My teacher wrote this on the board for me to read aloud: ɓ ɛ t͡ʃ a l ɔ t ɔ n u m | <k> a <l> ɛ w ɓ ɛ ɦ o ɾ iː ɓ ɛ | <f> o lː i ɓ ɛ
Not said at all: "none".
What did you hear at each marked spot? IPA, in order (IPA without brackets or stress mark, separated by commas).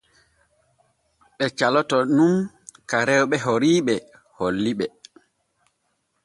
k, ɾ, h